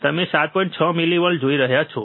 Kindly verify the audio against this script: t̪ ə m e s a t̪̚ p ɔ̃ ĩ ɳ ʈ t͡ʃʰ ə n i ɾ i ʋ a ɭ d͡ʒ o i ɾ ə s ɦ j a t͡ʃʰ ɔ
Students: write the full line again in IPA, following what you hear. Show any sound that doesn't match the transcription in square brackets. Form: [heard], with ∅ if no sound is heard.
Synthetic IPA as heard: t̪ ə m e s a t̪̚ p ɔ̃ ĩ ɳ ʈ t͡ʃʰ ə [m] i [l] i ʋ [ə] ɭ d͡ʒ o i ɾ ə [∅] ɦ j a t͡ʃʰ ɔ